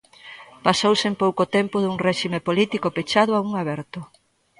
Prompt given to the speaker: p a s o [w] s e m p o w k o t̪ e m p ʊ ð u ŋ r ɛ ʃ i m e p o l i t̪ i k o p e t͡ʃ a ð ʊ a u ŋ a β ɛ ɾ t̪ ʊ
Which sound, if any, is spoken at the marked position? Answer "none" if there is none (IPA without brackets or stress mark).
w